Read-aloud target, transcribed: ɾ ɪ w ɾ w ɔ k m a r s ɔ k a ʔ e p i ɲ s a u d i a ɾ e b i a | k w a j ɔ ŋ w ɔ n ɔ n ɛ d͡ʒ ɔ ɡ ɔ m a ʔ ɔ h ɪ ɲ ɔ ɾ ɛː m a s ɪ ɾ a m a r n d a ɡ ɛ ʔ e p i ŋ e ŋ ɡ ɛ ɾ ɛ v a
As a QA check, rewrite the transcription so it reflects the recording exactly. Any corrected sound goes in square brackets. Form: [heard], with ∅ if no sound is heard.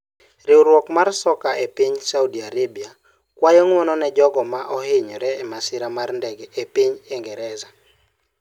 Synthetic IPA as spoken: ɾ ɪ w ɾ w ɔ k m a r s ɔ k a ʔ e p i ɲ s a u d i a ɾ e b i a | k w a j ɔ ŋ w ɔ n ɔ n ɛ d͡ʒ ɔ ɡ ɔ m a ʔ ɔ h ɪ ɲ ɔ ɾ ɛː m a s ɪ ɾ a m a r n d [ɛ] ɡ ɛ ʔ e p i [ɲ] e ŋ ɡ ɛ ɾ ɛ [z] a